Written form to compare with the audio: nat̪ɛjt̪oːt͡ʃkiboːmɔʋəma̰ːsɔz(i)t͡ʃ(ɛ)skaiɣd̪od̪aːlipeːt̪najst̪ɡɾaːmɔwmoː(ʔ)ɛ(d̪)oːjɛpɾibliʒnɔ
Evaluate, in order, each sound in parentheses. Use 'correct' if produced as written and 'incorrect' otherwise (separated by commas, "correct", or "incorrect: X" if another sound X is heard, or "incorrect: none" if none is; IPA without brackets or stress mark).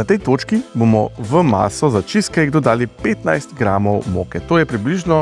incorrect: a, incorrect: i, incorrect: k, incorrect: t̪